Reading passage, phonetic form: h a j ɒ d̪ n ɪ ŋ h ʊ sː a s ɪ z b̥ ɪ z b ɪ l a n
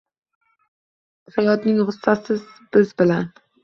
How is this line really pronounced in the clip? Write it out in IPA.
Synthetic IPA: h a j ɒ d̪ n ɪ ŋ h ʊ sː a s ɪ z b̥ ɪ z b ɪ l a n